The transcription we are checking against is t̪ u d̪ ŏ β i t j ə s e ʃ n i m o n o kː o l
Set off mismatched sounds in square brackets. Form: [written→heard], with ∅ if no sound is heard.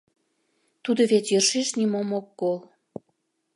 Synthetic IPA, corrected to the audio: t̪ u d̪ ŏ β [i→e] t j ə [s→ʃ] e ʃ n i m o [n→m] o kː o l